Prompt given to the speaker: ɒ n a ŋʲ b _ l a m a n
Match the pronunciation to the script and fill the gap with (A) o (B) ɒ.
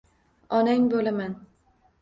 A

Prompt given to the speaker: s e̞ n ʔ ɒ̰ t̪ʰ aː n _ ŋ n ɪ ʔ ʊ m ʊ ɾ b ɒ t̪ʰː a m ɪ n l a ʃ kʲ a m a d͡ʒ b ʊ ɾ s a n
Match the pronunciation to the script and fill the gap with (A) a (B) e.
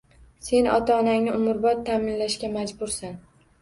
A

